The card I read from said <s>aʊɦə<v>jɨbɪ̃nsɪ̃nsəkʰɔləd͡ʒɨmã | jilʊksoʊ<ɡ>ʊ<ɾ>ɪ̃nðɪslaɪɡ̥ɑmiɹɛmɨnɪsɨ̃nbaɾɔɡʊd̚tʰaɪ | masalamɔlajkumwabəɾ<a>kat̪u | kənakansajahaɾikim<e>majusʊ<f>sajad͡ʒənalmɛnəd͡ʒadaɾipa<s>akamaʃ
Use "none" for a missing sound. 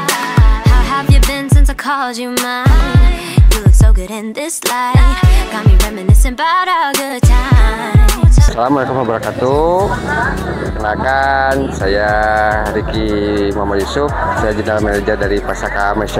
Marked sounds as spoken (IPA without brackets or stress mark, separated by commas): h, v, ɡ, ɾ, a, a, f, s